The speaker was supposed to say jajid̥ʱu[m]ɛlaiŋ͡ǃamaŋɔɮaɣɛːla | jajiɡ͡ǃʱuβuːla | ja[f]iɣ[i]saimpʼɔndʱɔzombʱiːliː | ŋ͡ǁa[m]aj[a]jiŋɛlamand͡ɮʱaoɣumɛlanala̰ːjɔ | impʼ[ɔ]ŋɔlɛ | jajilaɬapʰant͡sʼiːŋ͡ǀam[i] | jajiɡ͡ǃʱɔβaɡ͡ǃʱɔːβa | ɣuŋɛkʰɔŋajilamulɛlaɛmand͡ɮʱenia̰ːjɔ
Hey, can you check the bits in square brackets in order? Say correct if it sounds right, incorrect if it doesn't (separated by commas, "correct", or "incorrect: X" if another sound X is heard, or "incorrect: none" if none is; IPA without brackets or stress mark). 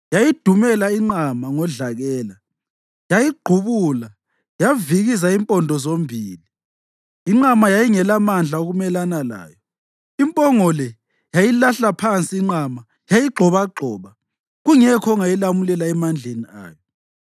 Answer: correct, incorrect: v, correct, correct, correct, correct, incorrect: a